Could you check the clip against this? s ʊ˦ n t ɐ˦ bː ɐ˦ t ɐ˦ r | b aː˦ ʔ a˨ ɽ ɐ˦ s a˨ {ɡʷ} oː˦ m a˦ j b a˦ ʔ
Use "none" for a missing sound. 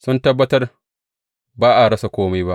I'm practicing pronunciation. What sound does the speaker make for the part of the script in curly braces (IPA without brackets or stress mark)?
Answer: kʷ